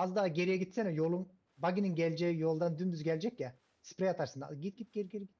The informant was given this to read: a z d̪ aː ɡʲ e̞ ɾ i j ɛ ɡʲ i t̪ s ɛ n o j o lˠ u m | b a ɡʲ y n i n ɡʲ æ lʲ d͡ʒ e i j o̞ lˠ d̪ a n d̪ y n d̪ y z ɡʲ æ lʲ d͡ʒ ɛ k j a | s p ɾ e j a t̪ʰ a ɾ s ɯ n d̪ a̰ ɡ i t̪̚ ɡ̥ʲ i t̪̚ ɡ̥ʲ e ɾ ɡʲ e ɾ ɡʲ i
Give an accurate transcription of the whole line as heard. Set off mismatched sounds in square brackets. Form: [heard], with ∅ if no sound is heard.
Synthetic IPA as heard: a z d̪ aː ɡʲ e̞ ɾ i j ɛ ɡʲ i t̪ s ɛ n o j o lˠ u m | b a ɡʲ [i] n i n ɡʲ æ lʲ d͡ʒ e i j o̞ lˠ d̪ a n d̪ y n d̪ y z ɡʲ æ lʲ d͡ʒ ɛ k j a | s p ɾ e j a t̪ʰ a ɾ s ɯ n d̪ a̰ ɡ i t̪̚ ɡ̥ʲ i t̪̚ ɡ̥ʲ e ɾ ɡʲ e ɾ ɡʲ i